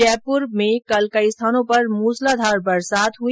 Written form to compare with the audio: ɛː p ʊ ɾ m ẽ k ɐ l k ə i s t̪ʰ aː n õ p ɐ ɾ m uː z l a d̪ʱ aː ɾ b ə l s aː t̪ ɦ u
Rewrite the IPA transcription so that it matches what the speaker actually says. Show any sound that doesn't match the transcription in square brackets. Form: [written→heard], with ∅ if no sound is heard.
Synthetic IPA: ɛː p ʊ ɾ m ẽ k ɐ l k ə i s t̪ʰ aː n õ p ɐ ɾ m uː [z→s] l a d̪ʱ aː ɾ b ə [l→ɾ] s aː t̪ ɦ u

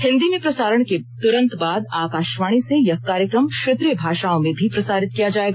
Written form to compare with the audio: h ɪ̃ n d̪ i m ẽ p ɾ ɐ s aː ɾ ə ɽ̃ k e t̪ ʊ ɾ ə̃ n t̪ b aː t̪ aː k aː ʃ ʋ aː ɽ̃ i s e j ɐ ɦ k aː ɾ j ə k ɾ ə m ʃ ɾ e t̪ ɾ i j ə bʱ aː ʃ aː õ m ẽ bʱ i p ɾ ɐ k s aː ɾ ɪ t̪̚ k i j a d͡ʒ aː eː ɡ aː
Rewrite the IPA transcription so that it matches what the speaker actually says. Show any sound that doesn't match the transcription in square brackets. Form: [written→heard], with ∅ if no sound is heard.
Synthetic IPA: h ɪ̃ n d̪ i m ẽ p ɾ ɐ s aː ɾ ə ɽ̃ k e t̪ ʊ ɾ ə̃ n t̪ b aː [t̪→d̪] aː k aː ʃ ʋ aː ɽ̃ i s e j ɐ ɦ k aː ɾ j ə k ɾ ə m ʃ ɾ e t̪ ɾ i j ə bʱ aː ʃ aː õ m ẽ bʱ i p ɾ ɐ [k→∅] s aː ɾ ɪ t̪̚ k i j a d͡ʒ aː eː ɡ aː

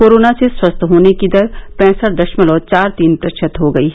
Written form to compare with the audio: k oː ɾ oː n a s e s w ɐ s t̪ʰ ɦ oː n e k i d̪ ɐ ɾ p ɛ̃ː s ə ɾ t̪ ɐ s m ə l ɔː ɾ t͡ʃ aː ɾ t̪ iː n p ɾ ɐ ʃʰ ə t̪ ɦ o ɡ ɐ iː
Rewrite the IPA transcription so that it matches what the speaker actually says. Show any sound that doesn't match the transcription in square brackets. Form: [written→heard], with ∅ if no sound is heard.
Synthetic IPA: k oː ɾ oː n a s e s w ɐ s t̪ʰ ɦ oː n e k i d̪ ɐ ɾ p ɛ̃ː s ə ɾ [t̪→d̪] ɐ [s→ʃ] m ə l ɔː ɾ t͡ʃ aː ɾ t̪ iː n p ɾ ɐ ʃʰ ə t̪ ɦ o ɡ ɐ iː

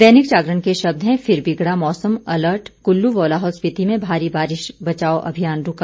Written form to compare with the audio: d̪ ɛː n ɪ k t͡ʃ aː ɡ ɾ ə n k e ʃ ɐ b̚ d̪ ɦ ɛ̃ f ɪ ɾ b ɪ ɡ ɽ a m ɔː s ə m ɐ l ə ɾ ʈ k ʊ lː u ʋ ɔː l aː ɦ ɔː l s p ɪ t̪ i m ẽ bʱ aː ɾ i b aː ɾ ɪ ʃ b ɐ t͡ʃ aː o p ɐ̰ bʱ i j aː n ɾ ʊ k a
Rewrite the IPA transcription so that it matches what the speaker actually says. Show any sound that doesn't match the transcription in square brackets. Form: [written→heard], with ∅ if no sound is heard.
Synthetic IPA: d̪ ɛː n ɪ k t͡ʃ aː ɡ ɾ ə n k e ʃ ɐ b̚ d̪ ɦ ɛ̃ f ɪ ɾ b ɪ ɡ ɽ a m ɔː s ə m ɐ l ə ɾ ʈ k ʊ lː u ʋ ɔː l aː ɦ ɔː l s p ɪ t̪ i m ẽ bʱ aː ɾ i b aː ɾ ɪ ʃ b ɐ t͡ʃ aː o [p→ʔ] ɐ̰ bʱ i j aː n ɾ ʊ k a

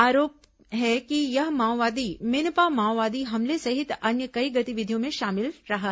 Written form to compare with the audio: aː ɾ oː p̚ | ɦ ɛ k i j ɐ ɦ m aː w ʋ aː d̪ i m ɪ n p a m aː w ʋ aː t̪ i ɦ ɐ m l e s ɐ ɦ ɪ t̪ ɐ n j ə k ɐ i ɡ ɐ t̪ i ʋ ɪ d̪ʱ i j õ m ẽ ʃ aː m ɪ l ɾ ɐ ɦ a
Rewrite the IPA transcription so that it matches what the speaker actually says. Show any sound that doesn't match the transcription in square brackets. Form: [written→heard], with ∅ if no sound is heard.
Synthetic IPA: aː ɾ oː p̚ | ɦ ɛ k i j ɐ ɦ m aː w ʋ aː d̪ i m ɪ n p a m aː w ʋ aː [t̪→d̪] i ɦ ɐ m l e s ɐ ɦ ɪ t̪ ɐ n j ə k ɐ i ɡ ɐ t̪ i ʋ ɪ d̪ʱ i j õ m ẽ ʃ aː m ɪ l ɾ ɐ ɦ a

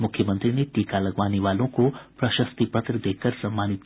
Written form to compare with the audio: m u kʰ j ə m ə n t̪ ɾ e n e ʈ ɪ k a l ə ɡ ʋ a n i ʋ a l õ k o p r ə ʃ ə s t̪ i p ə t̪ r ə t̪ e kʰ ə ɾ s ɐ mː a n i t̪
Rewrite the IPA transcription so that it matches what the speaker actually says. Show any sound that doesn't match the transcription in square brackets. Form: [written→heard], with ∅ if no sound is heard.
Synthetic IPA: m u kʰ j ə m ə n t̪ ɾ [e→i] n e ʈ [ɪ→i] k a l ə ɡ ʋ a n i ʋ a l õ k o p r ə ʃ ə s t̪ i p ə t̪ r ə [t̪→d̪] e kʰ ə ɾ s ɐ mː a n i t̪

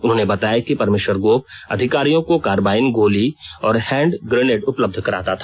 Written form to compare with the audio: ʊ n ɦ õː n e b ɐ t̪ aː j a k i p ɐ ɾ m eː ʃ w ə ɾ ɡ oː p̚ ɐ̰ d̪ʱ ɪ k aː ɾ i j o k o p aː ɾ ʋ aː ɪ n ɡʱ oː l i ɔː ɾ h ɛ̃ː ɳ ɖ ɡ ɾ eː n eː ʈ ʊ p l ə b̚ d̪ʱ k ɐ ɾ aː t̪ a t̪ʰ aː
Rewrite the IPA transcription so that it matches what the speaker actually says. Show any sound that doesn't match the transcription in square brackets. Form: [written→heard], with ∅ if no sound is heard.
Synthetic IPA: ʊ n ɦ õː n e b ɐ t̪ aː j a k i p ɐ ɾ m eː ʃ w ə ɾ ɡ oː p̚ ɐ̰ d̪ʱ ɪ k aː ɾ i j [o→õ] k o [p→k] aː ɾ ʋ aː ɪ n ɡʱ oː l i ɔː ɾ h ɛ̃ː ɳ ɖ ɡ ɾ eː n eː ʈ ʊ p l ə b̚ d̪ʱ k ɐ ɾ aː t̪ a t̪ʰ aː

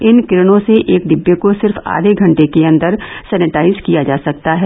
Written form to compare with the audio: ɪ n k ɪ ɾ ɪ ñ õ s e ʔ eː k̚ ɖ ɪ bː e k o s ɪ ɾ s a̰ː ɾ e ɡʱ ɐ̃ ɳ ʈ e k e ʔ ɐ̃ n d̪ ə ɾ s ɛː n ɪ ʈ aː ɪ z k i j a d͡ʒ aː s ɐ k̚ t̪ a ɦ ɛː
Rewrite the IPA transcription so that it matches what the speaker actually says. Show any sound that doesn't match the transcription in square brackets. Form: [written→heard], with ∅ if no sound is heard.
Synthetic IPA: ɪ n k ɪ ɾ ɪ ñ õ s e ʔ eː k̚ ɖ ɪ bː e k o s ɪ ɾ [s→f] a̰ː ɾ e ɡʱ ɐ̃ ɳ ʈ e k e [ʔ→∅] ɐ̃ n d̪ ə ɾ s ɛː n ɪ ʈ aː ɪ z k i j a d͡ʒ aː s ɐ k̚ t̪ a ɦ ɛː

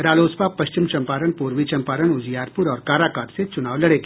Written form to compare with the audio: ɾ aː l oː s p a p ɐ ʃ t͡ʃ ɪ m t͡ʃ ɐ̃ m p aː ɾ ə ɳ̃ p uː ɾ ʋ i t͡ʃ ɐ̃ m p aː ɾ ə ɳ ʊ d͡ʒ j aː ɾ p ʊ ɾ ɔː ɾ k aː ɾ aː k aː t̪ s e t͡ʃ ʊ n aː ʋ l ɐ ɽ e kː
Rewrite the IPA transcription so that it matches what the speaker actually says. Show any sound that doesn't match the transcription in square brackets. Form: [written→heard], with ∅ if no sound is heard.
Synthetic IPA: ɾ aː l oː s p a p ɐ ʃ t͡ʃ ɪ m t͡ʃ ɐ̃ m p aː ɾ ə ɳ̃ p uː ɾ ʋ i t͡ʃ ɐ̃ m p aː ɾ ə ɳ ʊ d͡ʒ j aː ɾ p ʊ ɾ ɔː ɾ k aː ɾ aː k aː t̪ s e t͡ʃ ʊ n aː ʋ l ɐ ɽ e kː

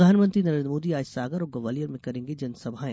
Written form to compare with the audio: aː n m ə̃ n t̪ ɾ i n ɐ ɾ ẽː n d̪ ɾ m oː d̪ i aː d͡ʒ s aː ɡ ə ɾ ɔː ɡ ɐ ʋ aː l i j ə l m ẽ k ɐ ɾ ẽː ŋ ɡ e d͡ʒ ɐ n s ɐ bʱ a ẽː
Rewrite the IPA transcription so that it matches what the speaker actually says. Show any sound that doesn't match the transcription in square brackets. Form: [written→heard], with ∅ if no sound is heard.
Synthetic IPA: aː n m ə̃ n t̪ ɾ i n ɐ ɾ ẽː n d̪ ɾ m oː d̪ i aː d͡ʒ s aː ɡ ə ɾ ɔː ɡ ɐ ʋ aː l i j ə [l→ɾ] m ẽ k ɐ ɾ ẽː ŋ ɡ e d͡ʒ ɐ n s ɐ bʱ a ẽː

